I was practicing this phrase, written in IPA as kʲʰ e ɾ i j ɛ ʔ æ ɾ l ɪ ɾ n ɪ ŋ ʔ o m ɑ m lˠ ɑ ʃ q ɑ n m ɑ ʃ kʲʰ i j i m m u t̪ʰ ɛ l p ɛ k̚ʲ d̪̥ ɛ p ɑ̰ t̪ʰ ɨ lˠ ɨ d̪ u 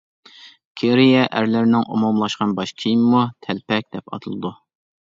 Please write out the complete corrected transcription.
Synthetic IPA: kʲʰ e ɾ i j ɛ ʔ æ ɾ l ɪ ɾ n ɪ ŋ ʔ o m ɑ m lˠ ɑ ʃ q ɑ n b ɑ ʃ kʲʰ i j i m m u t̪ʰ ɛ l p ɛ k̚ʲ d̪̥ ɛ p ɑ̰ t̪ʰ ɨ lˠ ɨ d̪ u